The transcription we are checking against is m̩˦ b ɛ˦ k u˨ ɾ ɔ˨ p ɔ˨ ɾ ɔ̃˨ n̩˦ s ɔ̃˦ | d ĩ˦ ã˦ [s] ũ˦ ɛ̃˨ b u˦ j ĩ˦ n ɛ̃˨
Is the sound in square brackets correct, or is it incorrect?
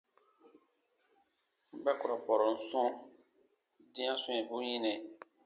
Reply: correct